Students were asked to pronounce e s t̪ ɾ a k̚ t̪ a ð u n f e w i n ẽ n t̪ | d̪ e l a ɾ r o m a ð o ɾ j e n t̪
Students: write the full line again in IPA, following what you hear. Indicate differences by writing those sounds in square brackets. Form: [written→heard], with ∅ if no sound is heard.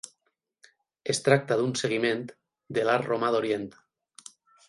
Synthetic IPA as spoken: e s t̪ ɾ a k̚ t̪ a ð u n [f→s] e [w→ɣ] i [n→m] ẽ n t̪ | d̪ e l a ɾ r o m a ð o ɾ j e n t̪